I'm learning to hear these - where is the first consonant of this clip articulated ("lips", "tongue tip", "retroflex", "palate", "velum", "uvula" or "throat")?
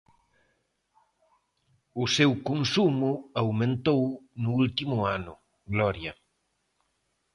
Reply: tongue tip